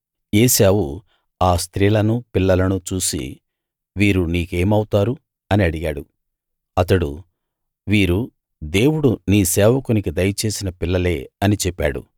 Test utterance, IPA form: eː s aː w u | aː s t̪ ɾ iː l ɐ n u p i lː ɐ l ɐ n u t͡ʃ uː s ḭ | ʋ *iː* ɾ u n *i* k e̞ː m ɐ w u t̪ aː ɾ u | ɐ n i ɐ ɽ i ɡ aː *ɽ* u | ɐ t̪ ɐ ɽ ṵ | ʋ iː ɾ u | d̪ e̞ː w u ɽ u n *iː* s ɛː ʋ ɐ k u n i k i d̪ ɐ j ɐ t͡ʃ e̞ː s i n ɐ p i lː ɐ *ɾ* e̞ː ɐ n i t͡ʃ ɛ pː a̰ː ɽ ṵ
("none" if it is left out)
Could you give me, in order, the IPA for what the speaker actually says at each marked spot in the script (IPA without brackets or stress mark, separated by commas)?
iː, iː, ɽ, iː, l